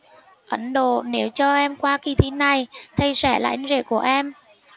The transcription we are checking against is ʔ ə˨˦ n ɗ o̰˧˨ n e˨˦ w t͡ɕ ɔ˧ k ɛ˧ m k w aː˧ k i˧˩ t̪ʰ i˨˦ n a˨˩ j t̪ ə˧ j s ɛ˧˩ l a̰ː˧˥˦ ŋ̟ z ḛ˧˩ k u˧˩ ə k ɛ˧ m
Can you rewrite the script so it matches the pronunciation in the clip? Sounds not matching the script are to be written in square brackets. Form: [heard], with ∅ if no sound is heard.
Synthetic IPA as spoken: ʔ ə˨˦ n ɗ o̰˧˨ n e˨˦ w t͡ɕ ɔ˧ [ʔ] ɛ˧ m k w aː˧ k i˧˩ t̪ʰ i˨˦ n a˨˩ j [t̪ʰ] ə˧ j s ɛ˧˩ l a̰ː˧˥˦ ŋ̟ z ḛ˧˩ k u˧˩ ə [ʔ] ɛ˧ m